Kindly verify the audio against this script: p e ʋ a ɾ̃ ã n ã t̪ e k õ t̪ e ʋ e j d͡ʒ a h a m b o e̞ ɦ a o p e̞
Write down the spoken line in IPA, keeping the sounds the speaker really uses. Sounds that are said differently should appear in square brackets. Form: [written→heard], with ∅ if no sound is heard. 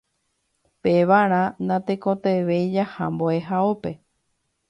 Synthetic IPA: p e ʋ a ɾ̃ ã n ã t̪ e k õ t̪ e ʋ e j d͡ʒ a h a m b o e̞ ɦ a o p e̞